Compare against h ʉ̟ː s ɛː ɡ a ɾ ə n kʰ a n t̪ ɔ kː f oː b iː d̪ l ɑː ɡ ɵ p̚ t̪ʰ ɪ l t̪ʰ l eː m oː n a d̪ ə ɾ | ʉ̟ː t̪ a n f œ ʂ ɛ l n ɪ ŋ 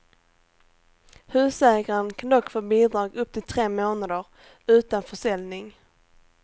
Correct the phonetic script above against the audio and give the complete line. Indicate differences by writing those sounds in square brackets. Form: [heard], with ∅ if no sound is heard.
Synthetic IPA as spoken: h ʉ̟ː s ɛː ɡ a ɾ ə n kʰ a n [d̪] ɔ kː f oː b iː d̪ [ɾ] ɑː ɡ ɵ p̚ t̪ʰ ɪ l t̪ʰ [ɾ] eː m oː n a d̪ ə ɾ | ʉ̟ː t̪ a n f œ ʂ ɛ l n ɪ ŋ